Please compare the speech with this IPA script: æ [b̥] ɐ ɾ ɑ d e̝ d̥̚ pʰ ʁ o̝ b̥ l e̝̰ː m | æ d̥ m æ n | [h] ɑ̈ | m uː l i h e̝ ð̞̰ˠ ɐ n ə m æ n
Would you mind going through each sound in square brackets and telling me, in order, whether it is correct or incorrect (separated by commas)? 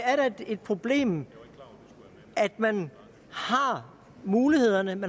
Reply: incorrect, correct